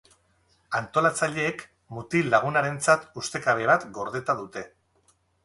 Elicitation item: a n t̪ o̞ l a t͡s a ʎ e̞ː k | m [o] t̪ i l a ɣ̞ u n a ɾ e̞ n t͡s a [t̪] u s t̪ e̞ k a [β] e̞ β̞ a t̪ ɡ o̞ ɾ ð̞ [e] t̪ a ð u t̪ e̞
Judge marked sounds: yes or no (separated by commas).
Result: no, yes, yes, yes